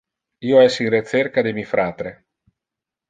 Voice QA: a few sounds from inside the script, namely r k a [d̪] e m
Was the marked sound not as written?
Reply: no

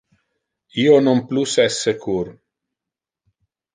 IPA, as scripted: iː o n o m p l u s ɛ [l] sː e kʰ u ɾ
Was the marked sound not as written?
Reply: yes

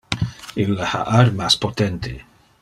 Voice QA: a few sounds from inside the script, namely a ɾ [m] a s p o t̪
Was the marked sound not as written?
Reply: no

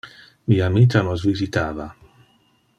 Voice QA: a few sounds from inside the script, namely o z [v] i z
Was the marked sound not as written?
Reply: no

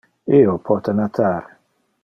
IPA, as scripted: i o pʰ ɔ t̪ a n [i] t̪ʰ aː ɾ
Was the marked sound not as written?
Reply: yes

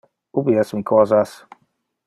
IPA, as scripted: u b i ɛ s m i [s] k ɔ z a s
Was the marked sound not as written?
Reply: yes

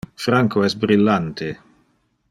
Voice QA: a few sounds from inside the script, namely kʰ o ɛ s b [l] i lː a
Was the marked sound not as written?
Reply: yes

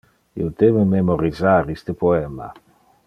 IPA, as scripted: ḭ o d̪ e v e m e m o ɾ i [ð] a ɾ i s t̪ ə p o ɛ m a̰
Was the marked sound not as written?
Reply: yes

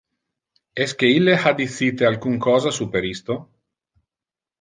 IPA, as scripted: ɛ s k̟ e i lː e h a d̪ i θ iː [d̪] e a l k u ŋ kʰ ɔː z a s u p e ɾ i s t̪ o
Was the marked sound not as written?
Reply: yes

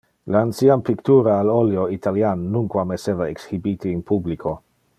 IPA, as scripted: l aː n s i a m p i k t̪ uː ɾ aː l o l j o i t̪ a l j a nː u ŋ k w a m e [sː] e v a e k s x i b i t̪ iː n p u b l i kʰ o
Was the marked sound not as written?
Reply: yes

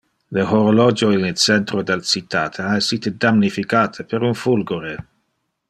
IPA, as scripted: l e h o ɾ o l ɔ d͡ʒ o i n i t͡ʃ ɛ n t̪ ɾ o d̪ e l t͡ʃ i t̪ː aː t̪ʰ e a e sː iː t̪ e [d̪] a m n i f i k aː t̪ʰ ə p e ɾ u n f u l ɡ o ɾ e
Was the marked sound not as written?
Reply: no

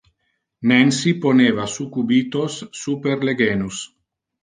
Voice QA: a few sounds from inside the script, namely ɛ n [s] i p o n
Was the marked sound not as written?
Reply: no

